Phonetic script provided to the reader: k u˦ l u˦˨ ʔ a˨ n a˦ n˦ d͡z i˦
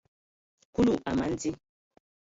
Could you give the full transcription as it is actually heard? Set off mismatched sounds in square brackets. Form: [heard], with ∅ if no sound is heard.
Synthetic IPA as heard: k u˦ l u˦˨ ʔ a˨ [m] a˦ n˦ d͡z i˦